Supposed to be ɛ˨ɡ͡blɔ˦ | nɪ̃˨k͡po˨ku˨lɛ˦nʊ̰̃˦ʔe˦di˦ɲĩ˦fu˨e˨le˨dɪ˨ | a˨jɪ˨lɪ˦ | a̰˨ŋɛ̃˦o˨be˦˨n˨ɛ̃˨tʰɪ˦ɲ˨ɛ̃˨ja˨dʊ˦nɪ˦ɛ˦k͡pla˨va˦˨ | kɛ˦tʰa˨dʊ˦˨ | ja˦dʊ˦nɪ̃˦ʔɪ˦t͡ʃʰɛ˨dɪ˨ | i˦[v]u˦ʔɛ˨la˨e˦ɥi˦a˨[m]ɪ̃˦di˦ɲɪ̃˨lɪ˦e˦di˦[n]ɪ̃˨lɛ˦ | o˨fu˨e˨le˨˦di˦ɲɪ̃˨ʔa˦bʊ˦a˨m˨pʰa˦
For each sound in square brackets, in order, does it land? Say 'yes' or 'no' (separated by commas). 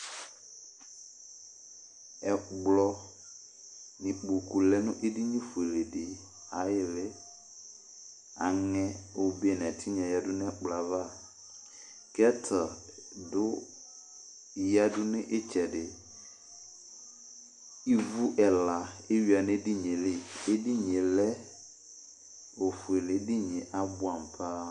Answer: yes, no, no